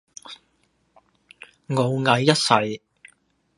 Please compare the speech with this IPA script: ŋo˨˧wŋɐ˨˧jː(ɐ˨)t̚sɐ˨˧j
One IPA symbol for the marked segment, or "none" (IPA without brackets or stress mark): ɐ˥